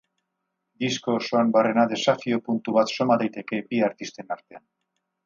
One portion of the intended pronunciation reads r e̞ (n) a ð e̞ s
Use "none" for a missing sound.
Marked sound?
n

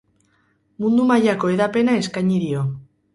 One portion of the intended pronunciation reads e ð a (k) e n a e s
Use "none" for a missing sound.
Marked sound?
p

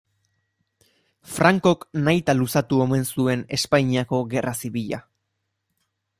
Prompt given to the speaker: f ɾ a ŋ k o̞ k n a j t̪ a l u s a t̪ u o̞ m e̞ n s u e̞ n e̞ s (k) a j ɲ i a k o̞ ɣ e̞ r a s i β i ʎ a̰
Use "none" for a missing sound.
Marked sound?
p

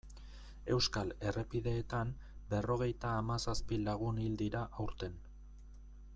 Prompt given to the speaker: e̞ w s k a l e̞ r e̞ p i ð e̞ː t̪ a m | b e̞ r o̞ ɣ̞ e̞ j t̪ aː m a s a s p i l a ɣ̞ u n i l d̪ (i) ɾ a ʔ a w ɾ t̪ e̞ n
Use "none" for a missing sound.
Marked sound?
i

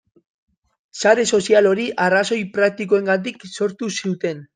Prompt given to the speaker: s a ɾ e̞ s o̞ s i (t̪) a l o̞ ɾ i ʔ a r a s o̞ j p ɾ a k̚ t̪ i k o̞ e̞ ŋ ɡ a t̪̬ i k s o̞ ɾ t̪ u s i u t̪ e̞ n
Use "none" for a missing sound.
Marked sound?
none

